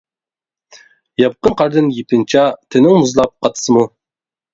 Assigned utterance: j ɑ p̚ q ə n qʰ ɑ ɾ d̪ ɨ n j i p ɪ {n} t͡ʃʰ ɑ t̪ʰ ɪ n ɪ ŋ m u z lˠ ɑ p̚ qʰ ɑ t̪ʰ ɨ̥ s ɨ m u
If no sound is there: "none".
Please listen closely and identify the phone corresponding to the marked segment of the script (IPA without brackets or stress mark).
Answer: n